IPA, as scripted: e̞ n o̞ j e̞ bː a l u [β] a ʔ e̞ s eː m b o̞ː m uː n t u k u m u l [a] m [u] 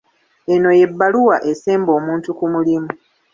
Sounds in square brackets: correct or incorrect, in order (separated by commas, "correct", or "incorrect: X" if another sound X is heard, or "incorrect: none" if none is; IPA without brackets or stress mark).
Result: incorrect: w, incorrect: i, correct